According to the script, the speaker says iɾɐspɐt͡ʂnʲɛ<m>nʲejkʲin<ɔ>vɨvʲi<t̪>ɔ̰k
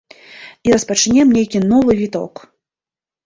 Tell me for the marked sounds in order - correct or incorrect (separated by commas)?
correct, correct, correct